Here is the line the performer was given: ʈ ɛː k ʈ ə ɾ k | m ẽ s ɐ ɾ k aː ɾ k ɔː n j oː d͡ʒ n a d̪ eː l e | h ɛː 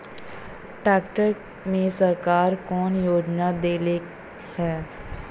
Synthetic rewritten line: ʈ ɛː k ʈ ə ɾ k | m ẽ s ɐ ɾ k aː ɾ k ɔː n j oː d͡ʒ n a d̪ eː l e | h ɛː